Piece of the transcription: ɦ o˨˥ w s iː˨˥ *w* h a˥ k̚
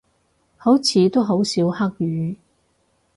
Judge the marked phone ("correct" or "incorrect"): correct